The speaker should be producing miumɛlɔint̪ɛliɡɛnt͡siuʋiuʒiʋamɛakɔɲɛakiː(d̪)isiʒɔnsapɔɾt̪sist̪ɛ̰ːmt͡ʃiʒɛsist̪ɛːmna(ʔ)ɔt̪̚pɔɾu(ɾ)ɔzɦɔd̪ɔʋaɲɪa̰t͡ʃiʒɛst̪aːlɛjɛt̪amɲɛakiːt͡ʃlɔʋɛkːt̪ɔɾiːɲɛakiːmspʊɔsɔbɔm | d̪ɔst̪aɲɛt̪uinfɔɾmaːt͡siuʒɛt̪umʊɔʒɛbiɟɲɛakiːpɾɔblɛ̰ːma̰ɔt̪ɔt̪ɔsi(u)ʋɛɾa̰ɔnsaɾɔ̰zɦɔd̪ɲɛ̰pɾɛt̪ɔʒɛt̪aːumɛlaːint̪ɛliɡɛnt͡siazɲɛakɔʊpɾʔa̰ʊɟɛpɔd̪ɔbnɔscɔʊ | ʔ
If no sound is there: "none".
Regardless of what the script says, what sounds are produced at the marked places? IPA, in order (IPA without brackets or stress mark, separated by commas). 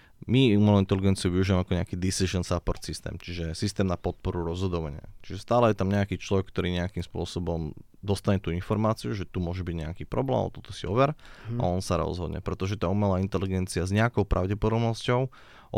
d̪, p, ɾ, ɔ